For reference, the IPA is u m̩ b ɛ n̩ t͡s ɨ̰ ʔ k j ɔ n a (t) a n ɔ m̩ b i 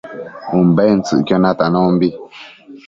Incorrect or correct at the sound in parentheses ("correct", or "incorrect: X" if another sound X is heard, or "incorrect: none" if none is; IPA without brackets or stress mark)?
correct